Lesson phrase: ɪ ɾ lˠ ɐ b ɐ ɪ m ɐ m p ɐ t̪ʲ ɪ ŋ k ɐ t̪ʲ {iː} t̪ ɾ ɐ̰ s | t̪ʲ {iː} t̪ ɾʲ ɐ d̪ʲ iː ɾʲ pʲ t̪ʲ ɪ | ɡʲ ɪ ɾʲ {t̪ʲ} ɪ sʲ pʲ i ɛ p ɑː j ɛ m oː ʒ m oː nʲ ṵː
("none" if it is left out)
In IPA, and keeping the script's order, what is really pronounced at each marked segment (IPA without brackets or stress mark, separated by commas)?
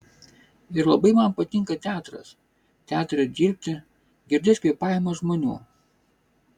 æː, æː, d̪ʲ